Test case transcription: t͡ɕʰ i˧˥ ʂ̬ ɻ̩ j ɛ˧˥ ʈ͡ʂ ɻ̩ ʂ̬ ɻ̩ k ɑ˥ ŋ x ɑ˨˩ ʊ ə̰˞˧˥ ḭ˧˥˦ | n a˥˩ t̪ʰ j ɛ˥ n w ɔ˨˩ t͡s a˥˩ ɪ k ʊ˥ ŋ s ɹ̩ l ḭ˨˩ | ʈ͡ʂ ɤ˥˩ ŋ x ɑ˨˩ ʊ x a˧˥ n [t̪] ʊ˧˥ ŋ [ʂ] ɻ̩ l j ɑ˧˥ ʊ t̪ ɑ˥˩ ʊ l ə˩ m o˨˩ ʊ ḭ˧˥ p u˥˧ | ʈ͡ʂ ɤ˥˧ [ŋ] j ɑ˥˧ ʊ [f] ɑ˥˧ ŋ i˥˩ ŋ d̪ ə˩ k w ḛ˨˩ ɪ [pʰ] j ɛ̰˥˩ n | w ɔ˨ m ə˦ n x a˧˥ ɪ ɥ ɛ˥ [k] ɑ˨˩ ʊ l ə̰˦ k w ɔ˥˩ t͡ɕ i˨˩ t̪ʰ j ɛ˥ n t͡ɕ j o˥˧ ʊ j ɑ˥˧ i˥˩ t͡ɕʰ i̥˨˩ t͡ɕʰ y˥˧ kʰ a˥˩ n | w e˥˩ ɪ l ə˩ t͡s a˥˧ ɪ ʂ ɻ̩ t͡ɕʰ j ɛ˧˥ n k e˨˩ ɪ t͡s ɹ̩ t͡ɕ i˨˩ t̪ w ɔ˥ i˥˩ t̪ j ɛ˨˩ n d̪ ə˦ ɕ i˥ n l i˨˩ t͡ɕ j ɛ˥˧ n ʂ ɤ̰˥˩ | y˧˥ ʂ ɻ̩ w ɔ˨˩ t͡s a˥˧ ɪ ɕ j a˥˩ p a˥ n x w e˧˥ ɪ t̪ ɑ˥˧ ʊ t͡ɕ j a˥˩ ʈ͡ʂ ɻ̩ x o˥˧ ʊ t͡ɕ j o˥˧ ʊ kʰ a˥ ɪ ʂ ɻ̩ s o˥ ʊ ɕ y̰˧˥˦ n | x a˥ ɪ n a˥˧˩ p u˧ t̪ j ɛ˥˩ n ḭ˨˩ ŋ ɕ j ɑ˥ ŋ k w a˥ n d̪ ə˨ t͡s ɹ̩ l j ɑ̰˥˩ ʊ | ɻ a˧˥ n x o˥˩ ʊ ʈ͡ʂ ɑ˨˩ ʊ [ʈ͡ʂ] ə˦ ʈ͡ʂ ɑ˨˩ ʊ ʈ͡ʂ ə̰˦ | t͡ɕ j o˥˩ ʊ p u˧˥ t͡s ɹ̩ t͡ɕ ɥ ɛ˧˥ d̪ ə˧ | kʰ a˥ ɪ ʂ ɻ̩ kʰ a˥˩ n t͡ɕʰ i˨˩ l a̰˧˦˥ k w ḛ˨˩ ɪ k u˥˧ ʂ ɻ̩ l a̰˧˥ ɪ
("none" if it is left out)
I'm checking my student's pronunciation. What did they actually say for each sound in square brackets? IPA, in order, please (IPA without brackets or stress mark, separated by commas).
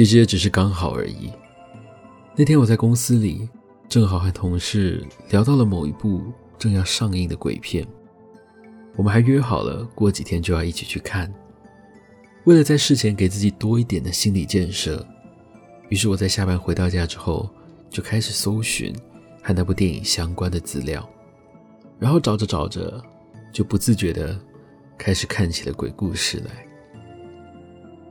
t̪ʰ, ʂ, ŋ, ʂ, pʰ, x, ʈ͡ʂ